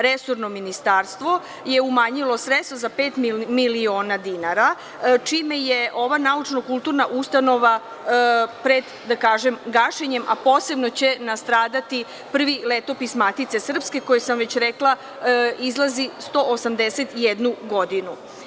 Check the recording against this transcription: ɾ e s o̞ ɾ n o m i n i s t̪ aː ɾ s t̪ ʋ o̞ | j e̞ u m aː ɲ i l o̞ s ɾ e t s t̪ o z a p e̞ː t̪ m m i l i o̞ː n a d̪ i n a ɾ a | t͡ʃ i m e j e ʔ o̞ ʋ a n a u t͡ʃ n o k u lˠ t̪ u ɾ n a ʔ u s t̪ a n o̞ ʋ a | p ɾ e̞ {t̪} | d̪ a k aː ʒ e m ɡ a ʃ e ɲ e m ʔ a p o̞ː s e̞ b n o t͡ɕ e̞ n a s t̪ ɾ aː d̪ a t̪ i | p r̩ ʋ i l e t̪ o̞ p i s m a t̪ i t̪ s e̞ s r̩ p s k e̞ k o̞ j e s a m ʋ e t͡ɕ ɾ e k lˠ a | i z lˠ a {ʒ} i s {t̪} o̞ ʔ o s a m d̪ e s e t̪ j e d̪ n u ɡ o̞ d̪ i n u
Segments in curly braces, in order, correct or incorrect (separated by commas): incorrect, incorrect, correct